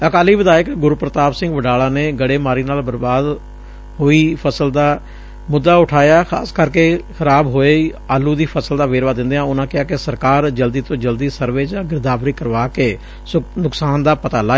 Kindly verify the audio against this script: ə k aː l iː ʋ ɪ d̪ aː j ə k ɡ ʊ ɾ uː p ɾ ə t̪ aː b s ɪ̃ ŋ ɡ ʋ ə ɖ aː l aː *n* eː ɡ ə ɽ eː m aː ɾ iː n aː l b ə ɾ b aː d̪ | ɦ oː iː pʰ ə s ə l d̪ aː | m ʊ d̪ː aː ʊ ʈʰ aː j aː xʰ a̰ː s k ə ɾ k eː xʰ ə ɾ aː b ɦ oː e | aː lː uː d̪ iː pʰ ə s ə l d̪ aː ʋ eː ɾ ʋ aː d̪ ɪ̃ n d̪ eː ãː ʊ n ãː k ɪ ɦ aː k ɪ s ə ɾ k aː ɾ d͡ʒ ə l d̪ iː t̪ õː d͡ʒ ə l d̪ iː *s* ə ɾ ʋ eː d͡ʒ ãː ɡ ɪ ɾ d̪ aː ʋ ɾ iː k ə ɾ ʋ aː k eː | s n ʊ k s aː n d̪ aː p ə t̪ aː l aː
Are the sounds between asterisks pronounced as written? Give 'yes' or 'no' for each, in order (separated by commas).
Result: yes, yes